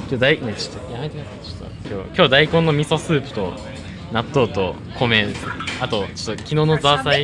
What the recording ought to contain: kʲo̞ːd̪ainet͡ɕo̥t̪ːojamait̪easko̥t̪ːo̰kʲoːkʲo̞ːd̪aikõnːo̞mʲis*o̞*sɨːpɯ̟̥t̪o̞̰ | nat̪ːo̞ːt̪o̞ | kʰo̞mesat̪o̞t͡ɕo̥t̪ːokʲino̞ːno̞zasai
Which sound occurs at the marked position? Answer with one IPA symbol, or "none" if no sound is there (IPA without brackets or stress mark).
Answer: o̞